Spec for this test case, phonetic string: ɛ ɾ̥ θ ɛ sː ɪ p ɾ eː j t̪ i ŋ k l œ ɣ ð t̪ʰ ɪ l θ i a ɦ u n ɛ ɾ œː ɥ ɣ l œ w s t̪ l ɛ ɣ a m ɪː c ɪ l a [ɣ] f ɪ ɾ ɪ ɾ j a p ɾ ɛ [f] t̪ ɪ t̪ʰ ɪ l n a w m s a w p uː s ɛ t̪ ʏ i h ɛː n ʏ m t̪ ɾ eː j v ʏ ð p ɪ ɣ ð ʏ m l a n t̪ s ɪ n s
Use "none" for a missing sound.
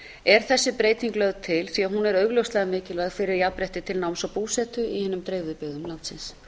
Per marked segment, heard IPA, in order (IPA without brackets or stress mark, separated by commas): ɣ, h